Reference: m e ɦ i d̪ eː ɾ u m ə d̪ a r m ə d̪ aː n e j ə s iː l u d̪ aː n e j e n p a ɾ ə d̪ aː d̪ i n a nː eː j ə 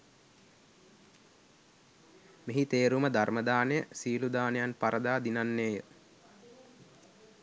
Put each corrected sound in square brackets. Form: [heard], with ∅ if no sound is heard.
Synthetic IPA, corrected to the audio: m e ɦ i [t̪] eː ɾ u m ə d̪ a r m ə d̪ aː n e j ə s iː l u d̪ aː n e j [a] n p a ɾ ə d̪ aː d̪ i n a nː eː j ə